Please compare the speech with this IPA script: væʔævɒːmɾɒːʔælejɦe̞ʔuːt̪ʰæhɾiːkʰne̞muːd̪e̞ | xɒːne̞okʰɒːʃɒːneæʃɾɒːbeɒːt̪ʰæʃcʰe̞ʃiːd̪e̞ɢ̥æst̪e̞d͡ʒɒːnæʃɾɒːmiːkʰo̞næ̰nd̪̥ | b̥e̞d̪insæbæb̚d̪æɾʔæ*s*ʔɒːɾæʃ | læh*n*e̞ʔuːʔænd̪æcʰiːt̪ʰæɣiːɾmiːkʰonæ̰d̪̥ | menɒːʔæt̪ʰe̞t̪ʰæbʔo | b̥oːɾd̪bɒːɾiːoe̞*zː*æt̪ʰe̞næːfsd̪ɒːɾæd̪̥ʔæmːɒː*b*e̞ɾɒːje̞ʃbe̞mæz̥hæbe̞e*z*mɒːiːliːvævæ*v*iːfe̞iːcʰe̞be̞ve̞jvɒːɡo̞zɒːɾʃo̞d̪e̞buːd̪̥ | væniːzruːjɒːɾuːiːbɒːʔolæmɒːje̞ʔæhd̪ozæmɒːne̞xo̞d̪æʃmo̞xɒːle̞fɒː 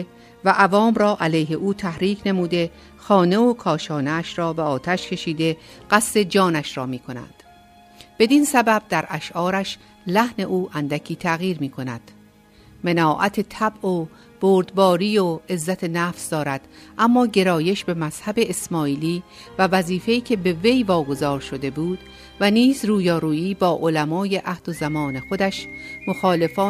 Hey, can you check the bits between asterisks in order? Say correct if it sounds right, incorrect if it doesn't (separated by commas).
incorrect, correct, correct, incorrect, incorrect, incorrect